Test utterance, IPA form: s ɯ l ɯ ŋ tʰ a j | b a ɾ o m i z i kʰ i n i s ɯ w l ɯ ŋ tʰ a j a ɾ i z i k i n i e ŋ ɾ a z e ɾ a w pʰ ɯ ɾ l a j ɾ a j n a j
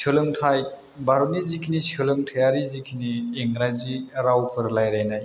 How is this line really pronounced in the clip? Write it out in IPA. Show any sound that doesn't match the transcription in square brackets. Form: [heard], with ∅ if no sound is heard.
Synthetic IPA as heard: s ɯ l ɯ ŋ tʰ a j | b a ɾ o [n] i z i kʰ i n i s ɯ [∅] l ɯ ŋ tʰ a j a ɾ i z i [kʰ] i n i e ŋ ɾ a z [i] ɾ a w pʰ ɯ ɾ l a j ɾ a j n a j